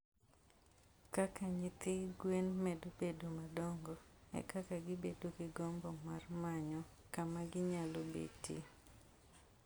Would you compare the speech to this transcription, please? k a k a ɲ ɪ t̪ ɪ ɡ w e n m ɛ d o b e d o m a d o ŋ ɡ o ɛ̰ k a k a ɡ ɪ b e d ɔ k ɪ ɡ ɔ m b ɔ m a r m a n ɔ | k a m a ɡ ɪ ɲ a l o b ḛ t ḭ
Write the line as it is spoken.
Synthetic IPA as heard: k a k a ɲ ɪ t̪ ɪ ɡ w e n m ɛ d o b e d o m a d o ŋ ɡ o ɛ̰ k a k a ɡ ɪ b e d o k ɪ ɡ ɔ m b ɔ m a r m a ɲ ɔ | k a m a ɡ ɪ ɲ a l o b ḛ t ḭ